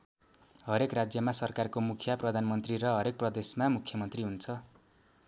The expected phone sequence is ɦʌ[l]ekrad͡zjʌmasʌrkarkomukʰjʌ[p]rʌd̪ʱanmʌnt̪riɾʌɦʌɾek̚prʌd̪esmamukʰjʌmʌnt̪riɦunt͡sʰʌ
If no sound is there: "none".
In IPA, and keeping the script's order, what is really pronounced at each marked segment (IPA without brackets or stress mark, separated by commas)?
ɾ, p